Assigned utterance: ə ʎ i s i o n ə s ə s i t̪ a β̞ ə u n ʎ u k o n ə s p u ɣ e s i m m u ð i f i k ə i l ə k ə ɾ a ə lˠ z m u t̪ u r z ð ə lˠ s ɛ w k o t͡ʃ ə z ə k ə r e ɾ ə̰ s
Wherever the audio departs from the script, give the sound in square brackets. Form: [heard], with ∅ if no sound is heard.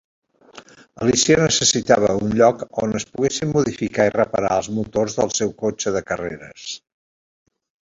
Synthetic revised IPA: ə [l] i s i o n ə s ə s i t̪ a β̞ ə u n ʎ [ɔ] k o n ə s p u ɣ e s i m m u ð i f i k [a] i [r] ə [p] ə ɾ a ə lˠ z m u t̪ [o] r z ð ə lˠ s ɛ w k o t͡ʃ ə [ð] ə k ə r e ɾ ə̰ s